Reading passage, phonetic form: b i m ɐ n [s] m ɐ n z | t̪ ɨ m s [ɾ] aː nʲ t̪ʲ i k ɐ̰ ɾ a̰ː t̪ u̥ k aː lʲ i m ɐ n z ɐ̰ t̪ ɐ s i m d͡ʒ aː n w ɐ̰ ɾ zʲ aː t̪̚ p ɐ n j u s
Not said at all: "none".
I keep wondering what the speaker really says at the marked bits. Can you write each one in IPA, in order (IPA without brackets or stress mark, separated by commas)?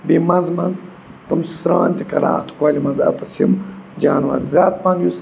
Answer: z, ɾ